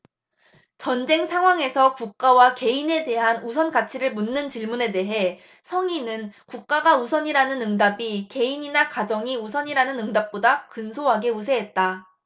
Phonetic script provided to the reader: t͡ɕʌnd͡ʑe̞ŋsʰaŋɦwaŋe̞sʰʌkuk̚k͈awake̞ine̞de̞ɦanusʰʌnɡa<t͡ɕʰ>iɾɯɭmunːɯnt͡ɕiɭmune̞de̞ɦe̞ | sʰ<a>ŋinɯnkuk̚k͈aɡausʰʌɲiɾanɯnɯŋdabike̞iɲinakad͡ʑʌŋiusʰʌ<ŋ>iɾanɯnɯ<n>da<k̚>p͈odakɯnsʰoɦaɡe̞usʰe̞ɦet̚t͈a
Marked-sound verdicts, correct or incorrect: correct, incorrect, incorrect, incorrect, incorrect

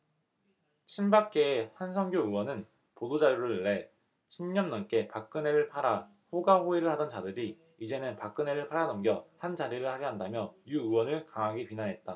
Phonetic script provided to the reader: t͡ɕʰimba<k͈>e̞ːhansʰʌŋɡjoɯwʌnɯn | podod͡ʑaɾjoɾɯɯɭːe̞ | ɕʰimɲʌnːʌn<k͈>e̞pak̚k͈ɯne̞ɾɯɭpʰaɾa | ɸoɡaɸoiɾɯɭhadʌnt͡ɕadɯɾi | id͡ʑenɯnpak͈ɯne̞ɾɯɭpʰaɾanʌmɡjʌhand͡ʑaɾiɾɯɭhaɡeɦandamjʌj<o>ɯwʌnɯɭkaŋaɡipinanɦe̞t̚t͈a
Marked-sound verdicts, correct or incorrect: correct, correct, incorrect

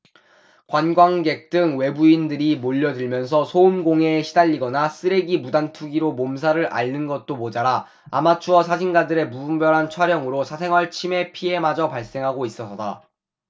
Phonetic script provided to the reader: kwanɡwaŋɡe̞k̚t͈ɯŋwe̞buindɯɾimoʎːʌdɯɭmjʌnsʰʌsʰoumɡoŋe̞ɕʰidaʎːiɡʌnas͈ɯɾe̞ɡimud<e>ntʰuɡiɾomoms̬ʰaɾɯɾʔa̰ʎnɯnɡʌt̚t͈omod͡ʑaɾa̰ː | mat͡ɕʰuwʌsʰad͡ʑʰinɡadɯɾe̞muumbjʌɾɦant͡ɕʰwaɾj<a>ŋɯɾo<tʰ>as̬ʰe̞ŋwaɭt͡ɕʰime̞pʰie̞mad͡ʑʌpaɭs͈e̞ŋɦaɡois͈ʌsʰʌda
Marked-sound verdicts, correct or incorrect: incorrect, incorrect, incorrect

